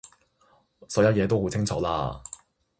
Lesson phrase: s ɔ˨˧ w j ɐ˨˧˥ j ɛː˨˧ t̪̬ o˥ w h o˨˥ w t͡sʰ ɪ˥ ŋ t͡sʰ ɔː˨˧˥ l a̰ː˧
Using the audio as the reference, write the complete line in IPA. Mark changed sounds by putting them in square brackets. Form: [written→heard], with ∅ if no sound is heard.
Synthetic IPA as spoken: s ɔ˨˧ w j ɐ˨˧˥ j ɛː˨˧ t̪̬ o˥ w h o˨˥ w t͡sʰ ɪ˥ ŋ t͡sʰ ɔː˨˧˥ l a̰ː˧